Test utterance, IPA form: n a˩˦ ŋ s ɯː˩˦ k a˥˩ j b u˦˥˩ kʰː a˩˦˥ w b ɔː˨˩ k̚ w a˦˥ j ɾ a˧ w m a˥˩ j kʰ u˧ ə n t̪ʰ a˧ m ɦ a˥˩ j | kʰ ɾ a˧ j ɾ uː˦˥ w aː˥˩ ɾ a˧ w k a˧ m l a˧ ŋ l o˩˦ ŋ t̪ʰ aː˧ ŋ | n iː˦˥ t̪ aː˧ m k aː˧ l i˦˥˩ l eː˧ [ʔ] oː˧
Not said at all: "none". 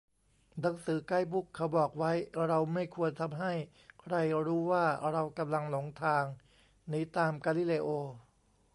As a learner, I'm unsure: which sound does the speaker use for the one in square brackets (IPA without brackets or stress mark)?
ʔ